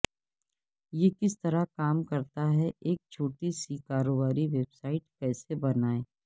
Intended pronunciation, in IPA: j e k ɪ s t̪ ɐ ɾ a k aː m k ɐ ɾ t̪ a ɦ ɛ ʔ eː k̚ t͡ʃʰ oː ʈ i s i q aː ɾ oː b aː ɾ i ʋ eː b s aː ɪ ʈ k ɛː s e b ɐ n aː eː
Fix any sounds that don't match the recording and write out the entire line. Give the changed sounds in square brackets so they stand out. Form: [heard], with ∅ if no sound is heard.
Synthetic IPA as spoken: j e k ɪ s t̪ ɐ ɾ a k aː m k ɐ ɾ t̪ a ɦ ɛ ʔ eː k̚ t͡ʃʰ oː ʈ i s i [k] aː ɾ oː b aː ɾ i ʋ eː b s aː ɪ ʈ k ɛː s e b ɐ n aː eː